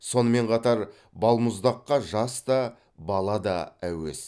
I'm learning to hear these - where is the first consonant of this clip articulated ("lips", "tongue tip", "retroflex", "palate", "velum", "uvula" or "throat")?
tongue tip